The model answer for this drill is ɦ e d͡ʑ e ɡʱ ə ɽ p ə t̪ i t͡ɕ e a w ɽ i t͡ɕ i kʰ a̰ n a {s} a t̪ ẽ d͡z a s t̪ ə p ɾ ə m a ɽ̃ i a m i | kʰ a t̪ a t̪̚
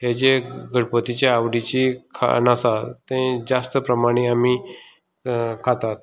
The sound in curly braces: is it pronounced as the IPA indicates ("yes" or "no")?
yes